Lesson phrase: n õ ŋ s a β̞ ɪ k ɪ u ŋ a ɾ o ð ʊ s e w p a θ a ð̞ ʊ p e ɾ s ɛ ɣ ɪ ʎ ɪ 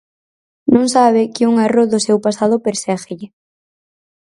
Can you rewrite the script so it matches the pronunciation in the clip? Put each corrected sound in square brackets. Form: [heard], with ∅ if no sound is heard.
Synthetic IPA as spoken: n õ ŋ s a β̞ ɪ k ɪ u ŋ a [r] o ð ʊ s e w p a [s] a ð̞ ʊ p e ɾ s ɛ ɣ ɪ ʎ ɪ